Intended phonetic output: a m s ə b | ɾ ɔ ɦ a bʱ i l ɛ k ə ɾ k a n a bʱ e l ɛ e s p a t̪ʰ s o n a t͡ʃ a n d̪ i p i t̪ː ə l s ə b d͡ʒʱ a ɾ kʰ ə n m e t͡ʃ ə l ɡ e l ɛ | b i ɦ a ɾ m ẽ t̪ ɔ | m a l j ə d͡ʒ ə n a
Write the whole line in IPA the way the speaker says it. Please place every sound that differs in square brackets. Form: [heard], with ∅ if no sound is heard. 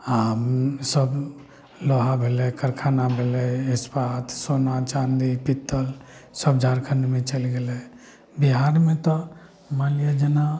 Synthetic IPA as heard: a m s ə b | [l] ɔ ɦ a bʱ [e] l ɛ k ə ɾ [kʰ] a n a bʱ e l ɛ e s p a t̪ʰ s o n a t͡ʃ a n d̪ i p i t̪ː ə l s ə b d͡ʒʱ a ɾ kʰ ə n m e t͡ʃ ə l ɡ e l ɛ | b i ɦ a ɾ m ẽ t̪ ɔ | m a l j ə d͡ʒ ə n a

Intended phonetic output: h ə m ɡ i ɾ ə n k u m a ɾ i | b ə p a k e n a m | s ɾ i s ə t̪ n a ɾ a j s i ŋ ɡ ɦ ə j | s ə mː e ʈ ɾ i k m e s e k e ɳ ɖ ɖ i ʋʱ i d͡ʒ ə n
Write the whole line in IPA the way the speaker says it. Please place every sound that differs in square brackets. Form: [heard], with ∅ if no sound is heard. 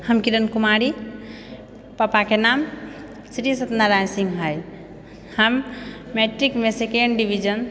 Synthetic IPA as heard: h ə m [k] i ɾ ə n k u m a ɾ i | [p] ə p a k e n a m | s ɾ i s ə t̪ n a ɾ a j s i ŋ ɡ ɦ ə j | [h] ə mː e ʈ ɾ i k m e s e k e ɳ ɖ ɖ i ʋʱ i d͡ʒ ə n

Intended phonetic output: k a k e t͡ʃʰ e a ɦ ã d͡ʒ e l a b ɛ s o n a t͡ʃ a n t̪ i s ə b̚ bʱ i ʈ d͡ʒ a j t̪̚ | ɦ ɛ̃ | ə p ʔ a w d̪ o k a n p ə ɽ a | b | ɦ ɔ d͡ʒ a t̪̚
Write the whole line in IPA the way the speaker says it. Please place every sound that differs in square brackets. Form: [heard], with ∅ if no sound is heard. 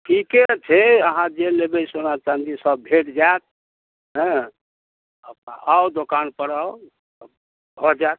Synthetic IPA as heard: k [i] k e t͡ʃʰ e [ə] ɦ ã d͡ʒ e l [e] b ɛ s o n a t͡ʃ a n [d̪] i s ə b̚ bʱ [e] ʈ d͡ʒ a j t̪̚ | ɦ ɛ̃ | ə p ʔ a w d̪ o k a n p ə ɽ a | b | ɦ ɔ d͡ʒ a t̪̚

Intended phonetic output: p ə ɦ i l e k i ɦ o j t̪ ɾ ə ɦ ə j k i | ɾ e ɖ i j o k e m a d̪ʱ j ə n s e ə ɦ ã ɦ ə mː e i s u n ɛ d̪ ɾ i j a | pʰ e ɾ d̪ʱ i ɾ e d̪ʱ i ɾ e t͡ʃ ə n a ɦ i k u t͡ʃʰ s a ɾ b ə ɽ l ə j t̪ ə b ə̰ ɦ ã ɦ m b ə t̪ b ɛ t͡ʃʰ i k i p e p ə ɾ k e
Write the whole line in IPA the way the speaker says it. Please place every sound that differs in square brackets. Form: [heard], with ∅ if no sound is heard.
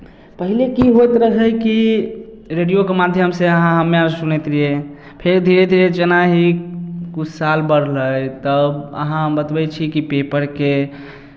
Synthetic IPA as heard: p ə ɦ i l e k i ɦ o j t̪ ɾ ə ɦ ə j k i | ɾ e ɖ i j o k e m a d̪ʱ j ə [m] s e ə ɦ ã ɦ ə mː e [a] s u n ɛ [t̪] ɾ i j [e] | pʰ e ɾ d̪ʱ i ɾ e d̪ʱ i ɾ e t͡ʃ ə n a ɦ i k u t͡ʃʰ s a [l] b ə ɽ l ə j t̪ ə b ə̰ ɦ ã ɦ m b ə t̪ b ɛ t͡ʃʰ i k i p e p ə ɾ k e

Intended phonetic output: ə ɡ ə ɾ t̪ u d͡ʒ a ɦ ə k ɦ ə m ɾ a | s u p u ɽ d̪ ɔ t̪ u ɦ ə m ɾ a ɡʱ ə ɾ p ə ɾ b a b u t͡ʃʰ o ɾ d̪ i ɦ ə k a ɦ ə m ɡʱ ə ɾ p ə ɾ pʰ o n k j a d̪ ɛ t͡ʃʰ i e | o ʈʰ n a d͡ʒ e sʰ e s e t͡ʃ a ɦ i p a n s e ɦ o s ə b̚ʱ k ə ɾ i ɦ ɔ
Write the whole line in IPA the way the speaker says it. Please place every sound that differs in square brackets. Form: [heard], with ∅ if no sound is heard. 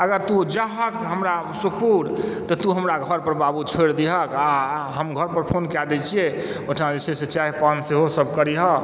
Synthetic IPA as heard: ə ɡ ə ɾ t̪ u d͡ʒ a ɦ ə k ɦ ə m ɾ a | s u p u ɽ [t̪] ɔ t̪ u ɦ ə m ɾ a ɡʱ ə ɾ p ə ɾ b a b u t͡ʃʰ o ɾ d̪ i ɦ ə k a ɦ ə m ɡʱ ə ɾ p ə ɾ pʰ o n k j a d̪ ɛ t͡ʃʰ i e | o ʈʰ n a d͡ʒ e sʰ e s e t͡ʃ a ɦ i p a n s e ɦ o s ə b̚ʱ k ə ɾ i ɦ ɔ

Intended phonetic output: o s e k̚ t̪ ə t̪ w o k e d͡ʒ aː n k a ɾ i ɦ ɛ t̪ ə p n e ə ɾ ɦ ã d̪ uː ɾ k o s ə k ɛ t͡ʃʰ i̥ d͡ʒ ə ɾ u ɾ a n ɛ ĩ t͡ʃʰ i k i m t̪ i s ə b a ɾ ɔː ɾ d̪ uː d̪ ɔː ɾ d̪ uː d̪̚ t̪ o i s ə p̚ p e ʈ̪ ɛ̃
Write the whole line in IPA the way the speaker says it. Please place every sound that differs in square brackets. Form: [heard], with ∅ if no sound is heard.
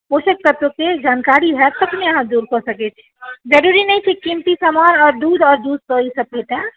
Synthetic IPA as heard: o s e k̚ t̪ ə t̪ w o k e d͡ʒ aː n k a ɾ i ɦ ɛ t̪ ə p n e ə [∅] ɦ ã d̪ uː ɾ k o s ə k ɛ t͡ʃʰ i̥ d͡ʒ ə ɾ u ɾ [i] n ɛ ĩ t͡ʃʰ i k i m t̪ i s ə [m] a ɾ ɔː ɾ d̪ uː d̪ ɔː ɾ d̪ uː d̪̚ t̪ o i s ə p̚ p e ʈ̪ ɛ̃

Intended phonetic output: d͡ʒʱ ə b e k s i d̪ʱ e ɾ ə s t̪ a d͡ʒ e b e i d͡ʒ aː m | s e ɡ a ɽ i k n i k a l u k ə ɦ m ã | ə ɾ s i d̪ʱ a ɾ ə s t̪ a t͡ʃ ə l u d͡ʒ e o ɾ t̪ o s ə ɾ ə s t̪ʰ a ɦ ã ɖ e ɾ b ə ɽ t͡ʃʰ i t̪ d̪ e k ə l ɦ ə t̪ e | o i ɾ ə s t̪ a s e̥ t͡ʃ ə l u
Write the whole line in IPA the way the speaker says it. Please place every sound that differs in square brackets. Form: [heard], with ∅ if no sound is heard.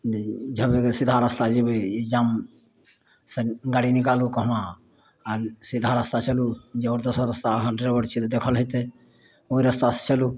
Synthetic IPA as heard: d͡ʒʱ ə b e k s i d̪ʱ [a] ɾ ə s t̪ a d͡ʒ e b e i d͡ʒ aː m | s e ɡ a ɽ i [∅] n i k a l u k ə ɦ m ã | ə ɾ s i d̪ʱ a ɾ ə s t̪ a t͡ʃ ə l u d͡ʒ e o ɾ [d̪] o s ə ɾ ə s [t̪] a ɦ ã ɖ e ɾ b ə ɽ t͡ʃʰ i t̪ d̪ e [kʰ] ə l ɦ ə t̪ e | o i ɾ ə s t̪ a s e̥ t͡ʃ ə l u

